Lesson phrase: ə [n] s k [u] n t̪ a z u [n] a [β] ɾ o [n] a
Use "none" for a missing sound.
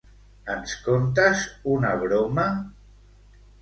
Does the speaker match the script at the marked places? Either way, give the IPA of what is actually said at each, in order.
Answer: n, o, n, β, m

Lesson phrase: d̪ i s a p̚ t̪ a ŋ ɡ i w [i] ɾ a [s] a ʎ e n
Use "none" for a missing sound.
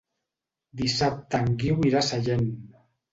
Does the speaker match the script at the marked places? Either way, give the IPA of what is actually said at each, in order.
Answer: i, s

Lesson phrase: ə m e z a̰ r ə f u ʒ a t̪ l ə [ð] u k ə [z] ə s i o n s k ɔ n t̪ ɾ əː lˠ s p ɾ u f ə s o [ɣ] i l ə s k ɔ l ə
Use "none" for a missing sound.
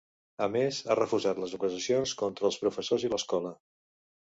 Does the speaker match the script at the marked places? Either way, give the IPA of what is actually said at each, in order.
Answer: z, z, z

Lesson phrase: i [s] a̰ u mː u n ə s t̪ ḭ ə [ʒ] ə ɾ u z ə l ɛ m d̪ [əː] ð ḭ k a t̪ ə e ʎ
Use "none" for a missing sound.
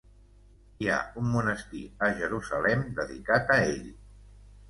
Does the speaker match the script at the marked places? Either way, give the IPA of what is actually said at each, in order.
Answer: none, ʒ, ə

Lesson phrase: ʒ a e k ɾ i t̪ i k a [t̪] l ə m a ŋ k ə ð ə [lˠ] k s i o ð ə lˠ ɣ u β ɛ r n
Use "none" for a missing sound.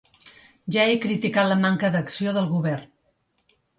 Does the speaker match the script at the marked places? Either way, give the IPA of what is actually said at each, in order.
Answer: t̪, none

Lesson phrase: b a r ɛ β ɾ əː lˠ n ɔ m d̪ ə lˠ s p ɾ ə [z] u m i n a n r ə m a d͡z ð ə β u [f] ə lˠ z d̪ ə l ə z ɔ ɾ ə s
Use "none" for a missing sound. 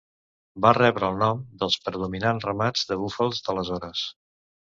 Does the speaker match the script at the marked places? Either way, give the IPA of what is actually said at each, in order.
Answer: ð, f

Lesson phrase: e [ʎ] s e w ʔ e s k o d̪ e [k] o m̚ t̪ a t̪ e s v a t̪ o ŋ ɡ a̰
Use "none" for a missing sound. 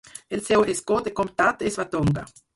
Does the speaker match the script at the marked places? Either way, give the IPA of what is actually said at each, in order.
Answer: l, k

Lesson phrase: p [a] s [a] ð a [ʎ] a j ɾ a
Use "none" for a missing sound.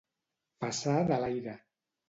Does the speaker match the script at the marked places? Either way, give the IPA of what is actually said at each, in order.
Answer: a, a, l

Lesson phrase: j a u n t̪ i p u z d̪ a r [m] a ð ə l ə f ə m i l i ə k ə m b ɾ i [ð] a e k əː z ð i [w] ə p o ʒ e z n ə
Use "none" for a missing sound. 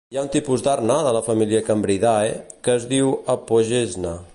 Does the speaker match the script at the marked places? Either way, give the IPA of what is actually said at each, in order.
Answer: n, ð, w

